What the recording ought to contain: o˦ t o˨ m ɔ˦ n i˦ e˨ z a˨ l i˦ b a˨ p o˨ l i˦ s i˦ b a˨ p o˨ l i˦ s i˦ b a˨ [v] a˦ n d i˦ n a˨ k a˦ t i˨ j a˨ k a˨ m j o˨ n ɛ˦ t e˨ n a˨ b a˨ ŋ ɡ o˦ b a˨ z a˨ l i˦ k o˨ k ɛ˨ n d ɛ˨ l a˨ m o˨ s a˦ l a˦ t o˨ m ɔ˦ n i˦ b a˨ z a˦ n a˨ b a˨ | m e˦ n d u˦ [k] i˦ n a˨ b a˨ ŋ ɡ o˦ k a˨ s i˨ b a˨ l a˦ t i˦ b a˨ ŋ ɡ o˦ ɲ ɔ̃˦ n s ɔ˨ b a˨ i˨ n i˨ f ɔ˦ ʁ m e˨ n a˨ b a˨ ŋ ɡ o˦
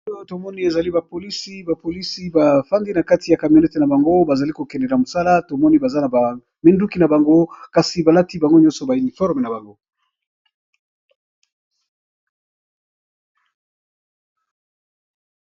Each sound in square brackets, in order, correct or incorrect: incorrect, correct

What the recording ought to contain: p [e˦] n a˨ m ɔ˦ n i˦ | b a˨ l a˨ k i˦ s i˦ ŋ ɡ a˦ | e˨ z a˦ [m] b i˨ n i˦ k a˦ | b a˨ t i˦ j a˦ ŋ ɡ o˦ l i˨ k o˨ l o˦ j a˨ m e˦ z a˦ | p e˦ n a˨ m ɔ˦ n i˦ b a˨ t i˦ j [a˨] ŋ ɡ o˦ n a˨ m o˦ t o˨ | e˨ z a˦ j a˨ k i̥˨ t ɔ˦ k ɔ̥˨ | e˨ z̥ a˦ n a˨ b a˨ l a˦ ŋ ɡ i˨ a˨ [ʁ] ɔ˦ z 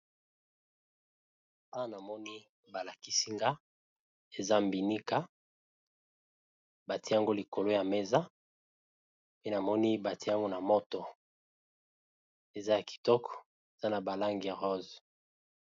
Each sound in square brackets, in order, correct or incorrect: incorrect, correct, incorrect, correct

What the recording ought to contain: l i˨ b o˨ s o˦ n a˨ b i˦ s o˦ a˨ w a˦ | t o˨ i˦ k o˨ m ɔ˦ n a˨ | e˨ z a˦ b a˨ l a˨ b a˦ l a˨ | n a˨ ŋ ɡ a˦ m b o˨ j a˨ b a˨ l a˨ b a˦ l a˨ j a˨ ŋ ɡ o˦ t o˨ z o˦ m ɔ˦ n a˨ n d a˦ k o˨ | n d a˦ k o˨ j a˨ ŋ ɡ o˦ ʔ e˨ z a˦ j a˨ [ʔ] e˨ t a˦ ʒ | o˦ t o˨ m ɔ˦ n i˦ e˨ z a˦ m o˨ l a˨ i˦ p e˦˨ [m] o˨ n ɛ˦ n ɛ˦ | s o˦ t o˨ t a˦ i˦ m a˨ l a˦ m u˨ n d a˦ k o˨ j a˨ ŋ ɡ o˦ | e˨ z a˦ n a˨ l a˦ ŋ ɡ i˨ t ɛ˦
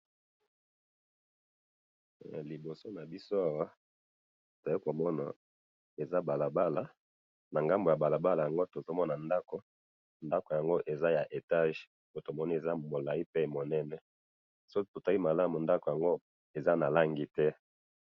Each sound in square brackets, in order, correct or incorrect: correct, correct

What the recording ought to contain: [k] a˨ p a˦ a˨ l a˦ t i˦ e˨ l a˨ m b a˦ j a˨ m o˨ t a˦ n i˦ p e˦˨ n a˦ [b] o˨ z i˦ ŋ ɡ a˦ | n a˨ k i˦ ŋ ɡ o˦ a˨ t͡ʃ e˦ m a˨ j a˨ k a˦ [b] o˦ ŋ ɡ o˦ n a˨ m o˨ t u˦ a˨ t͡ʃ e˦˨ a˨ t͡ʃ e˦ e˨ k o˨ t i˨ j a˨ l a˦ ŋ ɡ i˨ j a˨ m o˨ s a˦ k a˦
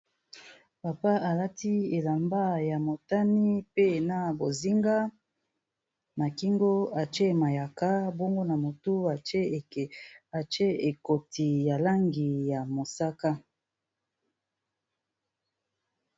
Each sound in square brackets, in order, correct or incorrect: incorrect, correct, correct

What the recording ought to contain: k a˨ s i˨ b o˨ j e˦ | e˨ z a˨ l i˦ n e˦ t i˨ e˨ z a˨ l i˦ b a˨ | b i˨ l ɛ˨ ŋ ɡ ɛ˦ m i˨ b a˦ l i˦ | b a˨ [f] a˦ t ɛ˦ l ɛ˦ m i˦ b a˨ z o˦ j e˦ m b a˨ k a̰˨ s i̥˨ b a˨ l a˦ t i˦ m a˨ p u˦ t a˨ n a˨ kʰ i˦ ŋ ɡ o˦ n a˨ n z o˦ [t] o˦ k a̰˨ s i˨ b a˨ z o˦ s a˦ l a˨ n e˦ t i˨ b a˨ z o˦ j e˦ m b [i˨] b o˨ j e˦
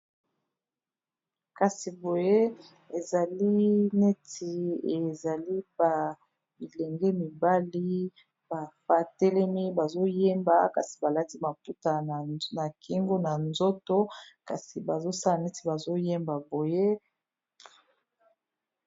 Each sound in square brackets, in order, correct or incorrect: correct, correct, incorrect

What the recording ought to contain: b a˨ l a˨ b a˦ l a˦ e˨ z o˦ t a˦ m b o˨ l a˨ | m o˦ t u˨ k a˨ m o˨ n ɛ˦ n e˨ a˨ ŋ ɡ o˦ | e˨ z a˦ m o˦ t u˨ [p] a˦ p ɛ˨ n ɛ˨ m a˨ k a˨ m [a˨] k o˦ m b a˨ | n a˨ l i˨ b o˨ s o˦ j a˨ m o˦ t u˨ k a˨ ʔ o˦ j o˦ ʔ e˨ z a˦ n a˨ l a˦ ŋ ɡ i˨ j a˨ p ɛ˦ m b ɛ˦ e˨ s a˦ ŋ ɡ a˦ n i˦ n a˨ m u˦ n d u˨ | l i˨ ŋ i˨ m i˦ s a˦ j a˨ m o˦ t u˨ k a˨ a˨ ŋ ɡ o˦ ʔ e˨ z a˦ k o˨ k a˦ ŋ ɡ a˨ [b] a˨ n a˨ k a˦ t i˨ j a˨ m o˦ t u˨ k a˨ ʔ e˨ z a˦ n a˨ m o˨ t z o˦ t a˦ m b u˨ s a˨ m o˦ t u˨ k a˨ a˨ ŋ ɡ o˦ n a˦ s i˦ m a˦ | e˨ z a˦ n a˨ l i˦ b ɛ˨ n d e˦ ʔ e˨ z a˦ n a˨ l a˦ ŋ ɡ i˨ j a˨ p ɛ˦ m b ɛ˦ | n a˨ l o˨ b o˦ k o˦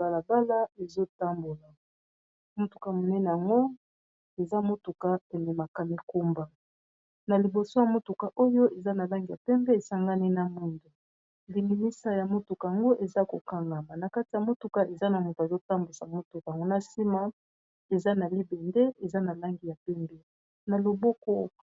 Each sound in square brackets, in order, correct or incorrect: incorrect, incorrect, incorrect

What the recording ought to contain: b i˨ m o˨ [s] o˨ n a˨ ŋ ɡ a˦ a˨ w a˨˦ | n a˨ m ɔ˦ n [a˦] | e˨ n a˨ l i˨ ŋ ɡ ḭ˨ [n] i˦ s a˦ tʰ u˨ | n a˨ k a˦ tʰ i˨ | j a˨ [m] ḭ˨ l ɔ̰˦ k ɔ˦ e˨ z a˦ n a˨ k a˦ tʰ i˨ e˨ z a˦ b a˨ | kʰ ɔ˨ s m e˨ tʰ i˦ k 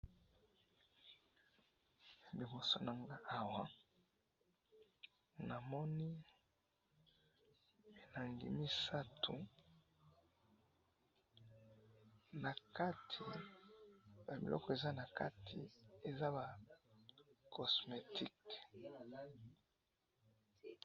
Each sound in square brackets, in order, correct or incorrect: correct, incorrect, incorrect, incorrect

